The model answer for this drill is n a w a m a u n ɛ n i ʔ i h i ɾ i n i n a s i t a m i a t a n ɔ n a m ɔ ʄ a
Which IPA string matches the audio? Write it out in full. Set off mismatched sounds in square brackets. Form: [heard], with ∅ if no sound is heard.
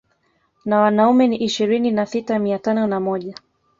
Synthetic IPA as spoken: n a w a [n] a u [m] ɛ n i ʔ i [ʃ] i ɾ i n i n a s i t a m i a t a n ɔ n a m ɔ ʄ a

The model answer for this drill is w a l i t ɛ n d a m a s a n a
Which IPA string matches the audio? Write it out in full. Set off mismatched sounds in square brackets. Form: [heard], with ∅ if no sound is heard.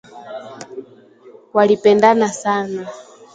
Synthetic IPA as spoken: w a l i [p] ɛ n d a [n] a s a n a

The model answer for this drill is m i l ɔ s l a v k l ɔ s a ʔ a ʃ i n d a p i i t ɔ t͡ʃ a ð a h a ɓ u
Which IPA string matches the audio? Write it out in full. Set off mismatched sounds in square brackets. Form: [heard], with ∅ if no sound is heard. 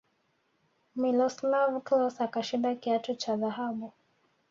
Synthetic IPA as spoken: m i l ɔ s l a v k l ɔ s a [k] a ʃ i n d a [k] i [a] t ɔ t͡ʃ a ð a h a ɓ u

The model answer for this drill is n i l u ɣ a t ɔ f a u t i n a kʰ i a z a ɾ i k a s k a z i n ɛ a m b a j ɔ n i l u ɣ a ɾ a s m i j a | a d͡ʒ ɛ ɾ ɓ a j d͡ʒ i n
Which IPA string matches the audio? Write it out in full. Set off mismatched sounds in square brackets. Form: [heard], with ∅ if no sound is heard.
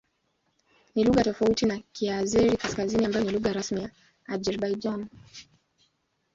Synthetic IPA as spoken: n i l u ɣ a t ɔ f a u t i n a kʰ i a z [ɛ] ɾ i k a s k a z i n [i] a m b a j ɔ n i l u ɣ a ɾ a s m i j a | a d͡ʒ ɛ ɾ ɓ a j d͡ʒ [a] n

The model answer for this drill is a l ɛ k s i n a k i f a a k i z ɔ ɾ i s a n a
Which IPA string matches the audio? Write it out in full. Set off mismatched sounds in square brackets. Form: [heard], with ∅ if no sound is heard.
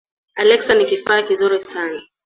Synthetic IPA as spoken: a l ɛ k s [a] n [i] k i f a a k i z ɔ ɾ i s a n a

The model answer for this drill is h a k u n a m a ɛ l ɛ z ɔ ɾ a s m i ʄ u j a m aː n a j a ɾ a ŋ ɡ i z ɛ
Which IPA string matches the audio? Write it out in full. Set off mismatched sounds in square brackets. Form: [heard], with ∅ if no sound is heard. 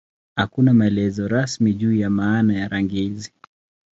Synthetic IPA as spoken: h a k u n a m a ɛ l ɛ z ɔ ɾ a s m i ʄ [uː] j a m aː n a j a ɾ a ŋ ɡ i z [i]

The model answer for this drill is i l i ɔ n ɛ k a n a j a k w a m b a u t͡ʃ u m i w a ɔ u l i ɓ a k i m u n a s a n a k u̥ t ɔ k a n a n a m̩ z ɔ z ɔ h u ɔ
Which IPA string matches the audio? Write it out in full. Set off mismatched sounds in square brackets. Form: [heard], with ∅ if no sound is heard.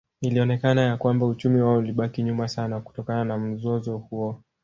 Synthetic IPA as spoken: i l i ɔ n ɛ k a n a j a k w a m b a u t͡ʃ u m i w a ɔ u l i ɓ a k i [ɲ] u [m] a s a n a k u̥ t ɔ k a n a n a m̩ z ɔ z ɔ h u ɔ

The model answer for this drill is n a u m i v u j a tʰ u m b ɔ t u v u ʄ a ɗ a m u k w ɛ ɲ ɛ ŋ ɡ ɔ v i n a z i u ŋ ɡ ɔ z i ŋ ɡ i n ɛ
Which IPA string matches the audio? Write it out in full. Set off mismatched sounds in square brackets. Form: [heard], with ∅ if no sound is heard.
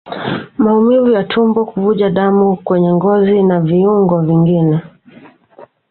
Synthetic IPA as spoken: [m] a u m i v u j a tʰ u m b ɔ [k] u v u ʄ a ɗ a m u k w ɛ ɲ ɛ ŋ ɡ ɔ [z] i n a [v] i u ŋ ɡ ɔ [v] i ŋ ɡ i n ɛ

